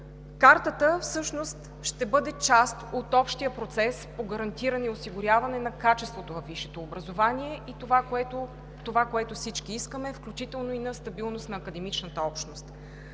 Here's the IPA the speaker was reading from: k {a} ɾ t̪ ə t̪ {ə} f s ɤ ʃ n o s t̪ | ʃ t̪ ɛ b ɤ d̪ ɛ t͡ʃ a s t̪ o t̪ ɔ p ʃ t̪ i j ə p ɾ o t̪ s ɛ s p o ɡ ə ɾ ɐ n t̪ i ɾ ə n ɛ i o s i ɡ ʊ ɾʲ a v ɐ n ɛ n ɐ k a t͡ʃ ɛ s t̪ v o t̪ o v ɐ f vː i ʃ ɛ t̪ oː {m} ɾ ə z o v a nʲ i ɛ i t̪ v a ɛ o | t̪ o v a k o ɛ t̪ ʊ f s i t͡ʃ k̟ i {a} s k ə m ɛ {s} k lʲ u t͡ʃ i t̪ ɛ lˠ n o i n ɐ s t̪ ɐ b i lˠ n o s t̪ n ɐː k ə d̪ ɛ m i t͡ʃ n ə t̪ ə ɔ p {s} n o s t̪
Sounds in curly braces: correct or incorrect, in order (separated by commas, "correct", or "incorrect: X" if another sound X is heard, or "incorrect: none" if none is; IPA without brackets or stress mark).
correct, correct, incorrect: b, incorrect: i, incorrect: f, incorrect: ʃ